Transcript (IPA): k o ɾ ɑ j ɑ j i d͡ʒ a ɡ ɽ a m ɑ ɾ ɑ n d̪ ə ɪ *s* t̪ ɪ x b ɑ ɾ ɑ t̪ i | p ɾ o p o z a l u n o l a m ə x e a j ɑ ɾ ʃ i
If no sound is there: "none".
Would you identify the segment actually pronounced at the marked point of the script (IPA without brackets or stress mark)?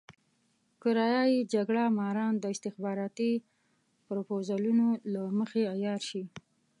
s